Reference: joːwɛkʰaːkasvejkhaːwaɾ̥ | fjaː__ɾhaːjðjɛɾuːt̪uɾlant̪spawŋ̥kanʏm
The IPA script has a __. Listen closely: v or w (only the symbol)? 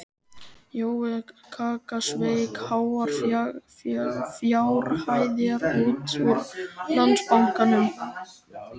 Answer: w